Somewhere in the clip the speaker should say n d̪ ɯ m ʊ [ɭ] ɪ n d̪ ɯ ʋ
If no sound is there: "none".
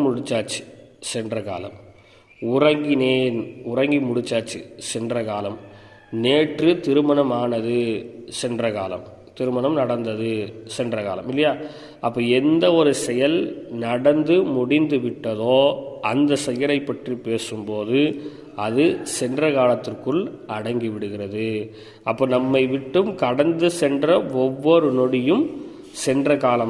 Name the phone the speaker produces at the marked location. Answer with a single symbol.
ɽ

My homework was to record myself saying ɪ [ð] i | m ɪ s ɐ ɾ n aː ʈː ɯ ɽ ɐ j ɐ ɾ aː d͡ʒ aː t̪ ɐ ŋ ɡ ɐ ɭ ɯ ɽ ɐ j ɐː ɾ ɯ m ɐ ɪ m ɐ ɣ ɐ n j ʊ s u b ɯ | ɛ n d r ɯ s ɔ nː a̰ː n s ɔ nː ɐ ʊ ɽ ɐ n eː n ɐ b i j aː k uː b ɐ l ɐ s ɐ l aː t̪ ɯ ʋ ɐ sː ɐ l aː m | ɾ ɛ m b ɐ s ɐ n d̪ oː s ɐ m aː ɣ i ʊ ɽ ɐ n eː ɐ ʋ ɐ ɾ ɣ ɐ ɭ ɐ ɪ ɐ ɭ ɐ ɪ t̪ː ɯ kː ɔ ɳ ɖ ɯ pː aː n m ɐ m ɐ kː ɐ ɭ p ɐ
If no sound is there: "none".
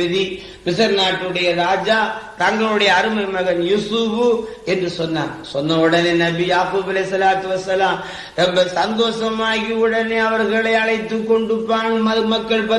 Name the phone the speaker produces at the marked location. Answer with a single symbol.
ð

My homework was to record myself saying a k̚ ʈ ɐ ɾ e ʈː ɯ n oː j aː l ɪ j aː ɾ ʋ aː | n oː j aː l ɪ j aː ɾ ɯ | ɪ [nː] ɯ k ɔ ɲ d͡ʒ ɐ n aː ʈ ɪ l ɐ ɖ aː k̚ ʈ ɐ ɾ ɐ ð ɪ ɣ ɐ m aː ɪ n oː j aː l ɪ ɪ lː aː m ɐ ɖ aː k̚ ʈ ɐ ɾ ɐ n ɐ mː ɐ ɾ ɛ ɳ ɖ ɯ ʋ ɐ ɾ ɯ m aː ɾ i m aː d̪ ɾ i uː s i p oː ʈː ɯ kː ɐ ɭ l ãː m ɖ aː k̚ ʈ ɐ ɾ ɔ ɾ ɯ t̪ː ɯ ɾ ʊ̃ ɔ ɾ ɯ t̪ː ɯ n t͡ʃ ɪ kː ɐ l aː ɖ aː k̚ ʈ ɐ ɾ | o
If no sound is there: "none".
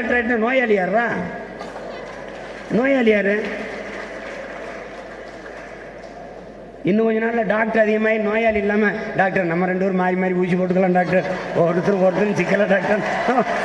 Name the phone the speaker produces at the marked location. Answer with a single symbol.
nː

